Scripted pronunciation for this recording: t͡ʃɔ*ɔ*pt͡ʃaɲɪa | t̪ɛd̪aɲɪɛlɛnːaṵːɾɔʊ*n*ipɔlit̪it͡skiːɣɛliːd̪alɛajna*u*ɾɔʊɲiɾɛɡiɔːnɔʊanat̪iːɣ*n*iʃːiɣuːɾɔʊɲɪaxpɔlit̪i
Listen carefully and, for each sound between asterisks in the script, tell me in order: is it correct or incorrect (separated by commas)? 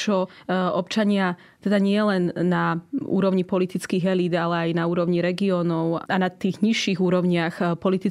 correct, incorrect, incorrect, incorrect